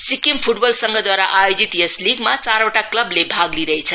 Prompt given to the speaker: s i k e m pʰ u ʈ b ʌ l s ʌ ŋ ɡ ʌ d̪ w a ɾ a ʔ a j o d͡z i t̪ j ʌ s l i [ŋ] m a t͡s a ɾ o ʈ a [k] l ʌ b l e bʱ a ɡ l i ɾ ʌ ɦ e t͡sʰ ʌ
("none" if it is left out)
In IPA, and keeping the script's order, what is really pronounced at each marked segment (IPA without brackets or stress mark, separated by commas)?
ɡ, k